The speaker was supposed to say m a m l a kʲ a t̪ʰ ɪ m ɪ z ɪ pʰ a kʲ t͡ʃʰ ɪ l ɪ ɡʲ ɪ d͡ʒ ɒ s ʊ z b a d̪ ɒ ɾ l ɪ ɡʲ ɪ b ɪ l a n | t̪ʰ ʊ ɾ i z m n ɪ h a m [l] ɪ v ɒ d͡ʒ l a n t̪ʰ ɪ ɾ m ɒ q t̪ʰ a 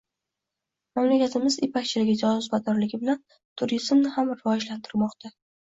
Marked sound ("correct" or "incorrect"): incorrect